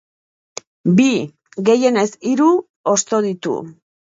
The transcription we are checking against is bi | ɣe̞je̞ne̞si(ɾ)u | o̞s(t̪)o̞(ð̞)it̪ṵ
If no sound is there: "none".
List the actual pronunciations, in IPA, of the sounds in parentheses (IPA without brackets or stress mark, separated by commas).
ɾ, t̪, ð̞